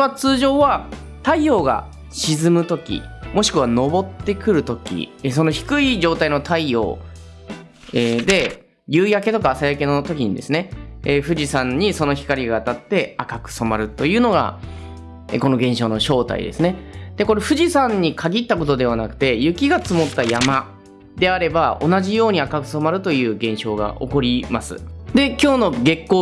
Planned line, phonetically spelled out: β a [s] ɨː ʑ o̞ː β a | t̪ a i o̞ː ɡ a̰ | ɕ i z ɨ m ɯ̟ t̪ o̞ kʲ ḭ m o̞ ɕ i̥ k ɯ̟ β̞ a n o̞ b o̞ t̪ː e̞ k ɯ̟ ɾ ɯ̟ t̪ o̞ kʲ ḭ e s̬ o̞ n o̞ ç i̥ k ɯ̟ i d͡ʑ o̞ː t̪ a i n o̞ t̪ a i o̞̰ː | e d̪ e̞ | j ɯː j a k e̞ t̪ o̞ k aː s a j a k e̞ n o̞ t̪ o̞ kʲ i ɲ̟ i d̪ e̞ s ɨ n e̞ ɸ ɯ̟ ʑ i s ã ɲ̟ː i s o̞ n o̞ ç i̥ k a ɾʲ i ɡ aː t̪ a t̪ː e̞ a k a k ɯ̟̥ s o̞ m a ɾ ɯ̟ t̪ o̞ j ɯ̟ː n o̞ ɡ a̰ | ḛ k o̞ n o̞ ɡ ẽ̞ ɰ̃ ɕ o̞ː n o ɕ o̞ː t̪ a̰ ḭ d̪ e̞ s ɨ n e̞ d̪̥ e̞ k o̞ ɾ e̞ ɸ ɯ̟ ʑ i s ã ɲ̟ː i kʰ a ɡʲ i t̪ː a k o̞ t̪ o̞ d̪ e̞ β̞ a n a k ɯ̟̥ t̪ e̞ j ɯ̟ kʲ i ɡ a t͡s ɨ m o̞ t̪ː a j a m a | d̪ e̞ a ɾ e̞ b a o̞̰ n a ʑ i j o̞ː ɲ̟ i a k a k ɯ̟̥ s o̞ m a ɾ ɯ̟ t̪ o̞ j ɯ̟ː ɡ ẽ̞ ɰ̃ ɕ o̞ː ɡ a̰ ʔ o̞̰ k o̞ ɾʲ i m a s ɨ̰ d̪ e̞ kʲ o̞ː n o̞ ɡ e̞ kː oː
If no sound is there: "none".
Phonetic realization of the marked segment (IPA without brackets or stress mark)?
t͡s